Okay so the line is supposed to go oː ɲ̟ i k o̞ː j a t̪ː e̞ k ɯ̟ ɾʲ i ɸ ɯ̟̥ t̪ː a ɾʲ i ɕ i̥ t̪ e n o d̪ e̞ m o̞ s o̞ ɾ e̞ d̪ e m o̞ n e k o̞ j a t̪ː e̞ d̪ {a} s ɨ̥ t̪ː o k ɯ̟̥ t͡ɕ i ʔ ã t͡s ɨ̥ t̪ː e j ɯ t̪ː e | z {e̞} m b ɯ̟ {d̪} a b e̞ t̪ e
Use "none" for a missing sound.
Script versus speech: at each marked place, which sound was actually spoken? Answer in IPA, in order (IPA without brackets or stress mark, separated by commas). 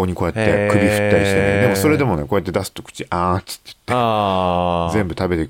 a, ẽ̞, t̪